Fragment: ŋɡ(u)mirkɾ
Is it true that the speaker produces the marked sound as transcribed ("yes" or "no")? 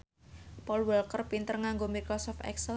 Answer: no